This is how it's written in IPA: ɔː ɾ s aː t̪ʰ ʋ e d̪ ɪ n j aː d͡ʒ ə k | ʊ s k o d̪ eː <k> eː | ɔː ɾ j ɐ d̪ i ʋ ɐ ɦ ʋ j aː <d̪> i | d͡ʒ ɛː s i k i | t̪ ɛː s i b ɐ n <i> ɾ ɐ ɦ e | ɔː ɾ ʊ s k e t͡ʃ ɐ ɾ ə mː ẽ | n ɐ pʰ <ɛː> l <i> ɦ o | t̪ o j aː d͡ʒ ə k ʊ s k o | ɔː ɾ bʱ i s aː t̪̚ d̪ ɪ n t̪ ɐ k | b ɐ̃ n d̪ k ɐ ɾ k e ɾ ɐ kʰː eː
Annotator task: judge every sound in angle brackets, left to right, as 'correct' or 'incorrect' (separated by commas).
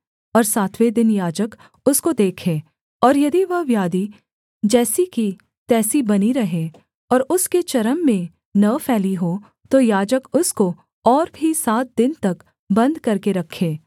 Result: incorrect, correct, correct, correct, correct